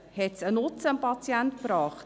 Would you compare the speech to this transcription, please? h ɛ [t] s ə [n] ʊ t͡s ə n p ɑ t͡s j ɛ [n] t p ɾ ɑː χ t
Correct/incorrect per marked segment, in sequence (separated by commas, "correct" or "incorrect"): correct, correct, correct